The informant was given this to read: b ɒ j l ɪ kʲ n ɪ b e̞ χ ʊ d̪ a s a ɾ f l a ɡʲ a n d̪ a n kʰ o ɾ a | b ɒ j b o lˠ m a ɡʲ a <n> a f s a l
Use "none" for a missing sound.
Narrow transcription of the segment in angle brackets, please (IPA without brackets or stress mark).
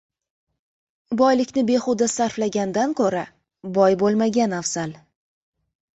n